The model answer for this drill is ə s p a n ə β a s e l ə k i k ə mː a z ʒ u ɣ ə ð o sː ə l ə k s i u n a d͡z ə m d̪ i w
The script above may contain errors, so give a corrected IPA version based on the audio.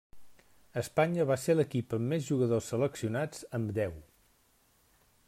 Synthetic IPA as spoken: ə s p a ɲ ə β a s e l ə k i p ə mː e z ʒ u ɣ ə ð o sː ə l ə k s i u n a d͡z ə m d̪ ɛ w